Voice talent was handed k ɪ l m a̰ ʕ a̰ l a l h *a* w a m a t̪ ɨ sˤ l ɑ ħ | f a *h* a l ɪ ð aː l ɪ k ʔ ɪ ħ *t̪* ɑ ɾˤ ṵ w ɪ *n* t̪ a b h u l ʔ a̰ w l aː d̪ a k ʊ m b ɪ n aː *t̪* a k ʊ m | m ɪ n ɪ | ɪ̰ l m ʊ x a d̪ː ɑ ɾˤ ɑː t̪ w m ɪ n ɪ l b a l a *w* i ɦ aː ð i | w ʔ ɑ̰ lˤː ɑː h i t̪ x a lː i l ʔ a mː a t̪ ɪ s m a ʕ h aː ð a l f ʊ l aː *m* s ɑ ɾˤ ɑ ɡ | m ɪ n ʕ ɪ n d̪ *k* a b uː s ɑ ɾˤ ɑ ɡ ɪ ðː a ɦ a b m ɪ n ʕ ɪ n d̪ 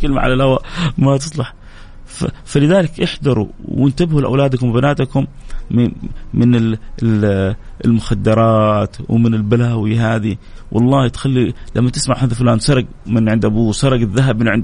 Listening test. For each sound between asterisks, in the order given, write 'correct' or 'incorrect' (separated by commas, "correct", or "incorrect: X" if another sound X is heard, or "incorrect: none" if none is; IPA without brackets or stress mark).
correct, incorrect: f, incorrect: d̪, correct, correct, correct, incorrect: n, incorrect: ʔ